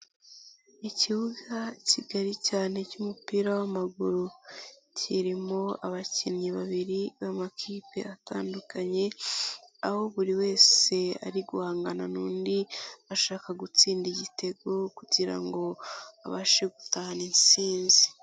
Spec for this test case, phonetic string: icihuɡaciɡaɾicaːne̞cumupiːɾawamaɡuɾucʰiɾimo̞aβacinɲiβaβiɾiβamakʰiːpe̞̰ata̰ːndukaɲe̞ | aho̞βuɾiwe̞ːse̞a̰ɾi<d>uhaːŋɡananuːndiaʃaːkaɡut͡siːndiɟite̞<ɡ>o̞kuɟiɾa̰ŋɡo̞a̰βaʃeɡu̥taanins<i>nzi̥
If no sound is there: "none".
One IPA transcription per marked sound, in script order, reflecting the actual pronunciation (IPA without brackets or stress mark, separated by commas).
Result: ɡ, ɡ, iː